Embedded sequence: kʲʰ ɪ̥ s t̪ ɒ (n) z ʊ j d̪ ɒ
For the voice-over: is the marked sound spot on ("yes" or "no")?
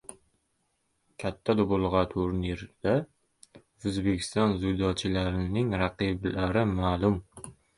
yes